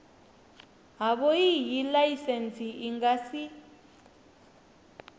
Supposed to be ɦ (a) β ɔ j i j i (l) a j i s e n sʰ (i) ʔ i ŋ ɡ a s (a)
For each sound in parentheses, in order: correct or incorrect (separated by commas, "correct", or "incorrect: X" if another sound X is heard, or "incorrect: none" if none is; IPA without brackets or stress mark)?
correct, correct, correct, incorrect: i